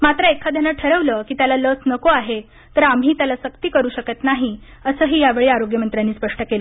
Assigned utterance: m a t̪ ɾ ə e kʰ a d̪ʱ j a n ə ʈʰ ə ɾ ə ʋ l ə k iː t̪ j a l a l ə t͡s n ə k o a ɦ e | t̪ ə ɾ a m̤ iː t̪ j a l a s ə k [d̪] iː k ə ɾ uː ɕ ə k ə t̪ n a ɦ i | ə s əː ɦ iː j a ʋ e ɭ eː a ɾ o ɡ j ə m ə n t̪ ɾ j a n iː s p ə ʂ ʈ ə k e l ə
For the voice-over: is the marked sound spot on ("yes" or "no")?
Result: no